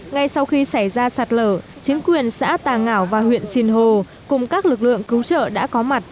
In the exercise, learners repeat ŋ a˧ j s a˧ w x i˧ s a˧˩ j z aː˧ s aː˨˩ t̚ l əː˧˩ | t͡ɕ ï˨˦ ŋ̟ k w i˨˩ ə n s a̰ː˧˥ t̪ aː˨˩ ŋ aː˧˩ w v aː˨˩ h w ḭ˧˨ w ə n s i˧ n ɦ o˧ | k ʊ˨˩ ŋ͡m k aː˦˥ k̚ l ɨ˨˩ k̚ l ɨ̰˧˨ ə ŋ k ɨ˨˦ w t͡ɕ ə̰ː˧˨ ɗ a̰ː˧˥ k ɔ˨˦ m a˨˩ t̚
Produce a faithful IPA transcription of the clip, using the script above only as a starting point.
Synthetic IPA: ŋ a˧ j s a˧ w x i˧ s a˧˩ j z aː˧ s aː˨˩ t̚ l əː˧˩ | t͡ɕ ï˨˦ ŋ̟ k w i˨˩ ə n s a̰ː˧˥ t̪ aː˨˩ ŋ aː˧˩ w v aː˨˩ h w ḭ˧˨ ə n s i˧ n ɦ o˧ | k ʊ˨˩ ŋ͡m k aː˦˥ k̚ l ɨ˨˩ k̚ l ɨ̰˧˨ ə ŋ k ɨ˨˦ w t͡ɕ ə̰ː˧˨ ɗ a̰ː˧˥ k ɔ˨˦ m a˨˩ t̚